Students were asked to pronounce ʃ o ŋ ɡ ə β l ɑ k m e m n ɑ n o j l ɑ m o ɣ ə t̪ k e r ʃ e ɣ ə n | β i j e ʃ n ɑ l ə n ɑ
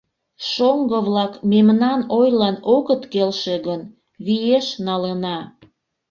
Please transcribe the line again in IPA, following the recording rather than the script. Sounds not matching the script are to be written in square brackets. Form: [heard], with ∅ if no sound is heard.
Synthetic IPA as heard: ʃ o ŋ ɡ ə β l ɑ k m e m n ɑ n o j l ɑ [n] o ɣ ə t̪ k e [l] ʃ e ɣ ə n | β i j e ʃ n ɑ l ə n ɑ